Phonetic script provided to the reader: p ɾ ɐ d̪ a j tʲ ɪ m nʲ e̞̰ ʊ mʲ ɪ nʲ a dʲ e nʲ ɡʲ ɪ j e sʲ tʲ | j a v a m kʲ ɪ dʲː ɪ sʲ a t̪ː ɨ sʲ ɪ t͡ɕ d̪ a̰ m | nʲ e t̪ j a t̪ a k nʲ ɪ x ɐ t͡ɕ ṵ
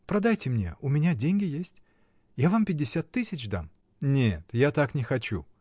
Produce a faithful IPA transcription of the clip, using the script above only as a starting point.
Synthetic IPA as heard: p ɾ ɐ d̪ a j tʲ ɪ m nʲ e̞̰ ʊ mʲ ɪ nʲ a dʲ e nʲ ɡʲ ɪ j e sʲ tʲ | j a v a m pʲ ɪ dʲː ɪ sʲ a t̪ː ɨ sʲ ɪ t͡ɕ d̪ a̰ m | nʲ e t̪ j a t̪ a k nʲ ɪ x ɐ t͡ɕ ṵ